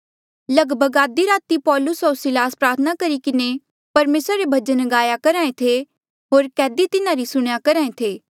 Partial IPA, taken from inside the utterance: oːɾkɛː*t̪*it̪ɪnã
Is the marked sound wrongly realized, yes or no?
yes